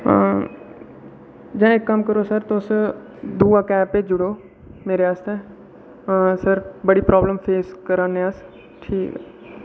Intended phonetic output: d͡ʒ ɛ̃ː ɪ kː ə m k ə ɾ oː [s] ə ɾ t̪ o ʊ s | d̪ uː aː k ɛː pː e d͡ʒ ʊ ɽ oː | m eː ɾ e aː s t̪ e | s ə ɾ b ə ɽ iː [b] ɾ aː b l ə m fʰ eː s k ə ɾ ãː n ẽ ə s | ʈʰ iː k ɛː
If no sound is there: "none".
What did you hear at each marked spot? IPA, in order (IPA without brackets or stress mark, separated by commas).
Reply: s, p